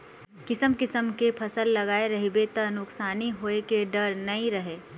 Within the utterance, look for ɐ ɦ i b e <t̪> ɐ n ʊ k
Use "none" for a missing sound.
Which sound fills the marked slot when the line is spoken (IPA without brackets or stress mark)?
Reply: t̪